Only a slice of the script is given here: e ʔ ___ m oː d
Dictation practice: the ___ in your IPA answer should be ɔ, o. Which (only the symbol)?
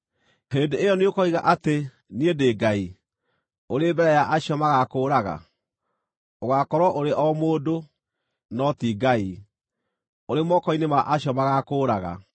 ɔ